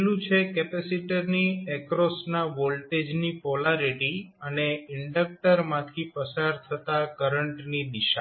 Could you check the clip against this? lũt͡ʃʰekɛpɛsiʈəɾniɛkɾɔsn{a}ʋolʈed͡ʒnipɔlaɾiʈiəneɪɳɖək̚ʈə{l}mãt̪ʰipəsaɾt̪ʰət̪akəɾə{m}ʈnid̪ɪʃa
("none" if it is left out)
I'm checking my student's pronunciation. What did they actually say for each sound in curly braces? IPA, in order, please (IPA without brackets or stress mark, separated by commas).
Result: a, ɾ, ɳ